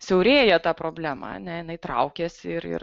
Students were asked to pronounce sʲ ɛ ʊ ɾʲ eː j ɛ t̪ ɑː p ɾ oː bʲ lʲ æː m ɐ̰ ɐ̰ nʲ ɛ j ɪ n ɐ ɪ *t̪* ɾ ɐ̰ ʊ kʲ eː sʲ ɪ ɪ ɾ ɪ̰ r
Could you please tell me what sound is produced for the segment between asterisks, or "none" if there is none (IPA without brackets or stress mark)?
t̪